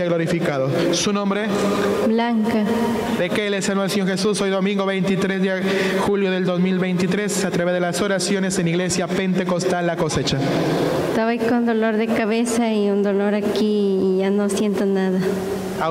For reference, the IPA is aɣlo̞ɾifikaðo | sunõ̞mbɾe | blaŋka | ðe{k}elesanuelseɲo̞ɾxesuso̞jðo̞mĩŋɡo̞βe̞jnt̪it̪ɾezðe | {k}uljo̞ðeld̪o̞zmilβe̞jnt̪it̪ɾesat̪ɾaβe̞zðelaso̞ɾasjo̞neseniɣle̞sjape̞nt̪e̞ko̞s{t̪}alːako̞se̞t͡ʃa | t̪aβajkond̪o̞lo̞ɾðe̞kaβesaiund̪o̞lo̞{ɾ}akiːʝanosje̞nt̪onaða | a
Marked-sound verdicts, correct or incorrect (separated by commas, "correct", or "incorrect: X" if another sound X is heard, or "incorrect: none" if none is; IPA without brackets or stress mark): correct, incorrect: x, correct, correct